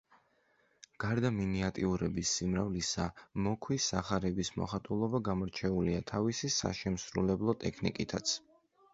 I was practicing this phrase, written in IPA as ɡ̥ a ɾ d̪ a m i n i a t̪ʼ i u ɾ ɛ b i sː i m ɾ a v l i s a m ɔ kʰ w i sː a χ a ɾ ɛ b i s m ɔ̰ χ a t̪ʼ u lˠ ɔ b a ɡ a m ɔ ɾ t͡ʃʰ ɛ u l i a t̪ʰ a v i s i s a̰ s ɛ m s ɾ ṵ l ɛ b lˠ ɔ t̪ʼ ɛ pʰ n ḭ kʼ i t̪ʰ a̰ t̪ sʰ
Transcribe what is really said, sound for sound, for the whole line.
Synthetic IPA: ɡ̥ a ɾ d̪ a m i n i a t̪ʼ i u ɾ ɛ b i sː i m ɾ a v l i s a m ɔ kʰ w i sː a χ a ɾ ɛ b i s m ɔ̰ χ a t̪ʼ u lˠ ɔ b a ɡ a m ɔ ɾ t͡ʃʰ ɛ u l i a t̪ʰ a v i s i s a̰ ʃ ɛ m s ɾ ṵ l ɛ b lˠ ɔ t̪ʼ ɛ kʰ n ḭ kʼ i t̪ʰ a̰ t̪ sʰ